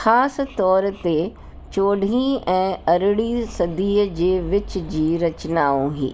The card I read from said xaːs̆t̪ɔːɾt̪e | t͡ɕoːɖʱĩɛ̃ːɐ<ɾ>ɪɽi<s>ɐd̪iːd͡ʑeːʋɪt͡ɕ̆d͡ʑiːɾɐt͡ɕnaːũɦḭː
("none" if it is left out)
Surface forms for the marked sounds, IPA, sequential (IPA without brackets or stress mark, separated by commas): ɾ, s